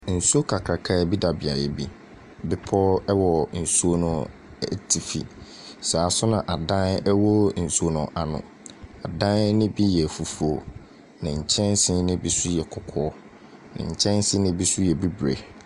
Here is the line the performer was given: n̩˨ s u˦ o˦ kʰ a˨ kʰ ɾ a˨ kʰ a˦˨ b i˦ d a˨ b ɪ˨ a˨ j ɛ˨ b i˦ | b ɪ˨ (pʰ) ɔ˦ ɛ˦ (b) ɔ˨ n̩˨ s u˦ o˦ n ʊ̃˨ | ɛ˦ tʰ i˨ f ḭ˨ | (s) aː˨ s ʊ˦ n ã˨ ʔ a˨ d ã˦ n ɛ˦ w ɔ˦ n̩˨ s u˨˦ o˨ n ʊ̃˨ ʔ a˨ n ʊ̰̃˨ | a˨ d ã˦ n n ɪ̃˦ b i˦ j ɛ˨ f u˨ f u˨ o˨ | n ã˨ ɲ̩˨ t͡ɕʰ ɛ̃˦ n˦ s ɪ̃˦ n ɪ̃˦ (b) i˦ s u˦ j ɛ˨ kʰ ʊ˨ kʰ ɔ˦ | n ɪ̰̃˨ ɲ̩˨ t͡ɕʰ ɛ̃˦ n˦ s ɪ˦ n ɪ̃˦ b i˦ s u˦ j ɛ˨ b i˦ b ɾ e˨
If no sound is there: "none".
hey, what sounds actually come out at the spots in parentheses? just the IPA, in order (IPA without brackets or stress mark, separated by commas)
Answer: pʰ, w, s, b